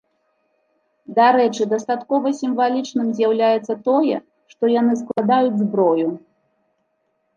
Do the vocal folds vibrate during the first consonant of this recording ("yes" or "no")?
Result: yes